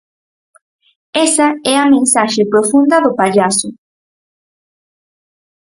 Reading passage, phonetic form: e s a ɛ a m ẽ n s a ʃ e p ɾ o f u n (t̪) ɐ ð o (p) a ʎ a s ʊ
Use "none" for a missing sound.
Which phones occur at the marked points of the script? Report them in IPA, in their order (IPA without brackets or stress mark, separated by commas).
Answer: d̪, p